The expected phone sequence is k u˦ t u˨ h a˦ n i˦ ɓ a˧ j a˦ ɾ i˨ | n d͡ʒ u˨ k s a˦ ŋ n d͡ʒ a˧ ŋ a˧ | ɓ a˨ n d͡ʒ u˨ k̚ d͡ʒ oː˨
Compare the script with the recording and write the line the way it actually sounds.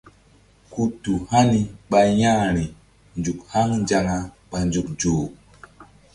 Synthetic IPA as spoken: k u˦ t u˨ h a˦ n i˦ ɓ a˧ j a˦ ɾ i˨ | n d͡ʒ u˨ k h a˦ ŋ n d͡ʒ a˧ ŋ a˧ | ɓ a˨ n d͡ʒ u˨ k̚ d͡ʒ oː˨